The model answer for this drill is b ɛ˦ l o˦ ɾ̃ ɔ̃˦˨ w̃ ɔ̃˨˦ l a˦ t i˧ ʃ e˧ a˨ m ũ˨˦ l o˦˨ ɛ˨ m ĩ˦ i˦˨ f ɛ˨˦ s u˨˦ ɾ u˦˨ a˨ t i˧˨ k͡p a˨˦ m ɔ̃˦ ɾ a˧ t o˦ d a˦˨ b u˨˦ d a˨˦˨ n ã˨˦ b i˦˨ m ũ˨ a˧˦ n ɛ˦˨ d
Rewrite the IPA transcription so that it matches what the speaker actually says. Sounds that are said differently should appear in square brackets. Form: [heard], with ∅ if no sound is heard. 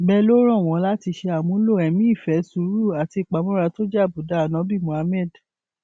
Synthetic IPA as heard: b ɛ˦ l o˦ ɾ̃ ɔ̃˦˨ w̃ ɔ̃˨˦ l a˦ t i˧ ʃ e˧ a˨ m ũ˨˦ l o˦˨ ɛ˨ m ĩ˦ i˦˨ f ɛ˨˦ s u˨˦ ɾ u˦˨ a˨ t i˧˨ k͡p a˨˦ m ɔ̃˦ ɾ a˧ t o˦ [d͡ʒ] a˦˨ b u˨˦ d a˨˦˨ n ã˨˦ b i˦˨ m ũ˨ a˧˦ [m] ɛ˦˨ d

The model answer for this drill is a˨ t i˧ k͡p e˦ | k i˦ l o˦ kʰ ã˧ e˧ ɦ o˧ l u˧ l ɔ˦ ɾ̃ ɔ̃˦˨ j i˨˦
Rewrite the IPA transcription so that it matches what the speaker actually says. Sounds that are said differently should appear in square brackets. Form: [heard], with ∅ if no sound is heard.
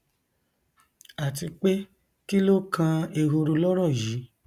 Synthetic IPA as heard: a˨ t i˧ k͡p e˦ | k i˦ l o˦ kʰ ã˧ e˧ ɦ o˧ [ɾ] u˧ l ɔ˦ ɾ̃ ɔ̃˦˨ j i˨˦

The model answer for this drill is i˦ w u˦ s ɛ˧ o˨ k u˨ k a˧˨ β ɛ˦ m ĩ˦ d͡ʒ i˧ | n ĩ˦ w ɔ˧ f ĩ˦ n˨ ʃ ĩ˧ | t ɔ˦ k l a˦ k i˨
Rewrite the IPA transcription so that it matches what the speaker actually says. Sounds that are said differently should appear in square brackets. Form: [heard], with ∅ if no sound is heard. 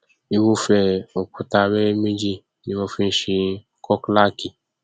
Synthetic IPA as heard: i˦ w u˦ [f] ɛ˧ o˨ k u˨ [t] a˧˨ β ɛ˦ m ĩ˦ d͡ʒ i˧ | n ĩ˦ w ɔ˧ f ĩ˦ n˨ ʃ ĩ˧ | [k] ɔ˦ k l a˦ k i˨

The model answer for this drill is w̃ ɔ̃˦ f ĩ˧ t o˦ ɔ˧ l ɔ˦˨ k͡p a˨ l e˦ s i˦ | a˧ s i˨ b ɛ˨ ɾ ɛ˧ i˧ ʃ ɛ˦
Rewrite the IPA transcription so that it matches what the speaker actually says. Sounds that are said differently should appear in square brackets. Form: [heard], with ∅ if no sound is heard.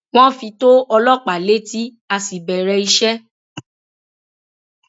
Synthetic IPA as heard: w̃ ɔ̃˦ f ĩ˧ t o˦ ɔ˧ l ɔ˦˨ k͡p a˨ l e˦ [t] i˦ | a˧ s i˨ b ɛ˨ ɾ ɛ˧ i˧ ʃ ɛ˦

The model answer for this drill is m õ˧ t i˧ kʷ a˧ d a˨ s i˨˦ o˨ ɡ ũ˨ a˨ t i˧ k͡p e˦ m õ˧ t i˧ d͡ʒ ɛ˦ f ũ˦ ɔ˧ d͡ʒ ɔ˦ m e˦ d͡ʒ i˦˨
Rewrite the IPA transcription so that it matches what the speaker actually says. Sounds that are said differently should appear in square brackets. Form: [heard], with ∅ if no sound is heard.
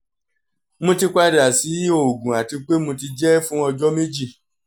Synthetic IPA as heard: m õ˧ t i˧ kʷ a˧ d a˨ s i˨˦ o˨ ɡ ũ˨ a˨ t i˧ k͡p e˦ m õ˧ t i˧ d͡ʒ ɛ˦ f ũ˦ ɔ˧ d͡ʒ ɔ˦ m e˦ d͡ʒ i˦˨

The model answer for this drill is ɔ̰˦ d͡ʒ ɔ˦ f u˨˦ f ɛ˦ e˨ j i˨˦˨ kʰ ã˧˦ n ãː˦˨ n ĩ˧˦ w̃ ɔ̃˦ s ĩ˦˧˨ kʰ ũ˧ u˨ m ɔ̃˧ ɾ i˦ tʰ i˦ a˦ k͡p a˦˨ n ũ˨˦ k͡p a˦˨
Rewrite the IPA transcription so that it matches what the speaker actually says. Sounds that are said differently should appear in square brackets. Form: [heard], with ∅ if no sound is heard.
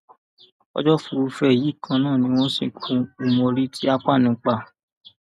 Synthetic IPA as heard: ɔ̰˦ d͡ʒ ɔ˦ f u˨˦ f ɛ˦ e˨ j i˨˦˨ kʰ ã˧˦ n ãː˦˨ n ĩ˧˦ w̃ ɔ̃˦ s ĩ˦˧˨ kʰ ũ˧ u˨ m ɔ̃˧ ɾ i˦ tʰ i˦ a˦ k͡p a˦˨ n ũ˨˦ k͡p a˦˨

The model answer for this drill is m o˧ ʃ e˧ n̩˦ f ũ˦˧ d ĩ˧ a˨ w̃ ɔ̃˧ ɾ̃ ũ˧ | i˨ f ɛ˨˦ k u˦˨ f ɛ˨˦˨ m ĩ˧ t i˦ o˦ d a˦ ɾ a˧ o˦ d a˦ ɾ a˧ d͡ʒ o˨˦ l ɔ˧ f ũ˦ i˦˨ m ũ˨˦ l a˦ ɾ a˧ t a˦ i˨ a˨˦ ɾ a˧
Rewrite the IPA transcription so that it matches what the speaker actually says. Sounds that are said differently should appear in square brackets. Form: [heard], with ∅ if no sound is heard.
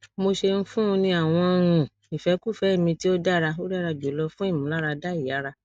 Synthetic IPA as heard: m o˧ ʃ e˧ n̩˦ f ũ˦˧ [n] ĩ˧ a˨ w̃ ɔ̃˧ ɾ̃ ũ˧ | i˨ f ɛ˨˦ k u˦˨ f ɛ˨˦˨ m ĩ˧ t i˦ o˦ d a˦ ɾ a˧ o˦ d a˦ ɾ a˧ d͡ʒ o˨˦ l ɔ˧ f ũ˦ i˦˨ m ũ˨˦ l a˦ ɾ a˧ [d] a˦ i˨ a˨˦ ɾ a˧

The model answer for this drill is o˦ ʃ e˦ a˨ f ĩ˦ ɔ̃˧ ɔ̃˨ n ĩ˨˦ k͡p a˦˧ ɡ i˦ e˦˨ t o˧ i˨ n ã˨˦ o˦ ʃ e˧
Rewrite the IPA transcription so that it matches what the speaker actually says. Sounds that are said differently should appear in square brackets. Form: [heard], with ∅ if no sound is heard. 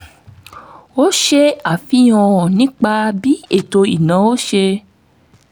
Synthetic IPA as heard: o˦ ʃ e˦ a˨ f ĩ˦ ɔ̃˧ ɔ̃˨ n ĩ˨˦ k͡p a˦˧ [b] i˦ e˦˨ t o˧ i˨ n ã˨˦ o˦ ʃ e˧

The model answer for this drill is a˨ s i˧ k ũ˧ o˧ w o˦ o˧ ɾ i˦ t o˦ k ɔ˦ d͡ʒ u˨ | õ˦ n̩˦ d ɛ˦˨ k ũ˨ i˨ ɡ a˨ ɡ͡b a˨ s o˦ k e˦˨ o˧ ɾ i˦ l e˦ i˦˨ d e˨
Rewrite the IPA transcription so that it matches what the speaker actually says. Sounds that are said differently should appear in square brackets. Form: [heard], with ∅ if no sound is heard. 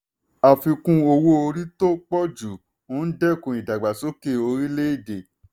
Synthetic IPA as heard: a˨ [f] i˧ k ũ˧ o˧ w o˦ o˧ ɾ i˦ t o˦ [k͡p] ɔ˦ d͡ʒ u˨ | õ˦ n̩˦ d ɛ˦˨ k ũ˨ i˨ [d] a˨ ɡ͡b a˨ s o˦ k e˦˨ o˧ ɾ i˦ l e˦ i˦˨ d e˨

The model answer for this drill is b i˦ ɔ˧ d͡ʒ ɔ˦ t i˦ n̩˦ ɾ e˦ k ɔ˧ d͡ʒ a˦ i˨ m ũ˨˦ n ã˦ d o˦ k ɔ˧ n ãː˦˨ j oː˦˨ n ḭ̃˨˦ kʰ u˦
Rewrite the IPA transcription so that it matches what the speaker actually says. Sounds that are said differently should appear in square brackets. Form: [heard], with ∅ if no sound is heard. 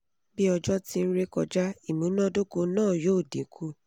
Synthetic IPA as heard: b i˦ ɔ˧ d͡ʒ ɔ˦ t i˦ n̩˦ ɾ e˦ k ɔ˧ d͡ʒ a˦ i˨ m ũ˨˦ n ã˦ d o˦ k [o˧] n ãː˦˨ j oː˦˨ [d] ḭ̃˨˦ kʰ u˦

